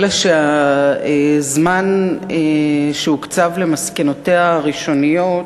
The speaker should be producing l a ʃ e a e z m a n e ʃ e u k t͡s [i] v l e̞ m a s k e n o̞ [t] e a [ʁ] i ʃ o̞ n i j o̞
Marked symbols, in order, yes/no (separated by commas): no, yes, yes